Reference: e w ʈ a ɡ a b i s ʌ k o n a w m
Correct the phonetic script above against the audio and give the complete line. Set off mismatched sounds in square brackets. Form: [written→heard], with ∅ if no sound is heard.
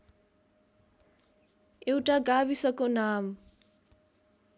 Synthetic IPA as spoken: e w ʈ a ɡ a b i s ʌ k o n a [w→∅] m